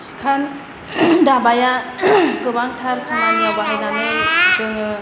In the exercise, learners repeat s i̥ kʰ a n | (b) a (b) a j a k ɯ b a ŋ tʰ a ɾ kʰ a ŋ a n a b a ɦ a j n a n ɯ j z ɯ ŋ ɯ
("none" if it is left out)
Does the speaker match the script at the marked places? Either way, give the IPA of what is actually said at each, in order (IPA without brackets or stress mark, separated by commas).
d, b